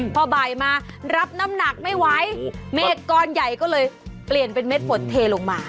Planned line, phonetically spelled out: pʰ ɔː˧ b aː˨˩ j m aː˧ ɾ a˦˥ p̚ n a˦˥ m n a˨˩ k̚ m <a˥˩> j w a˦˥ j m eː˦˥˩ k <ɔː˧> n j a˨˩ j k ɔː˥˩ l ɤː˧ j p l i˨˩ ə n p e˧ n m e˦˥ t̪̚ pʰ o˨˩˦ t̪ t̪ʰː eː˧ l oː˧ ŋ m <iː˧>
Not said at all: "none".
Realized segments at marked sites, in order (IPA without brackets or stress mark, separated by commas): a˥˩, ɔː˧, aː˧